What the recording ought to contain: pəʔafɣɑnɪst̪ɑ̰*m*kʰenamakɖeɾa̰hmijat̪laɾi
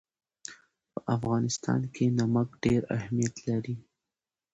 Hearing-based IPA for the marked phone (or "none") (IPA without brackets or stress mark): n